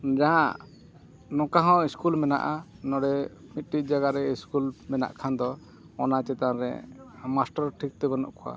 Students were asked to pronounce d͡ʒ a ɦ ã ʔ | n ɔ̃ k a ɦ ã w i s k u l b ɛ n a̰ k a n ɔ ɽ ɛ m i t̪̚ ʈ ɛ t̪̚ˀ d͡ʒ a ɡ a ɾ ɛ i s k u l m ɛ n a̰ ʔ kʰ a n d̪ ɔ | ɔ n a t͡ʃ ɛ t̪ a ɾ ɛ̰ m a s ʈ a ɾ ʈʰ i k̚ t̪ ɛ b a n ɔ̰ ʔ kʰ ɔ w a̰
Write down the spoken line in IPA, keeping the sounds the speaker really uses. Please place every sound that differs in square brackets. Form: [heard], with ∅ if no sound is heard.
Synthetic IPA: d͡ʒ a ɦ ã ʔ | n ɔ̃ k a ɦ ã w i s k u l [m] ɛ n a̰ [ʔ] a n ɔ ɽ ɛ m i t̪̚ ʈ [i] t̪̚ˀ d͡ʒ a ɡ a ɾ ɛ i s k u l m ɛ n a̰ ʔ kʰ a n d̪ ɔ | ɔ n a t͡ʃ ɛ t̪ a ɾ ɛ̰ m a s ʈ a ɾ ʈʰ i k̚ t̪ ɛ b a n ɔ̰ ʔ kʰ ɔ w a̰